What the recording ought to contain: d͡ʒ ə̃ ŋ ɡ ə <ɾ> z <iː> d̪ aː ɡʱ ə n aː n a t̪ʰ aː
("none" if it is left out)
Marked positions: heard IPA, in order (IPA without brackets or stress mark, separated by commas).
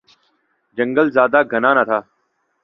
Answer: l, aː